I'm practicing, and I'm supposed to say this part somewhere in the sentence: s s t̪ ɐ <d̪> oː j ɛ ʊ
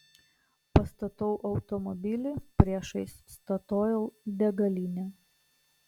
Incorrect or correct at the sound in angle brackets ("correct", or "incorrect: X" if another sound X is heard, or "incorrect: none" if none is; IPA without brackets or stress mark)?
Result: incorrect: t̪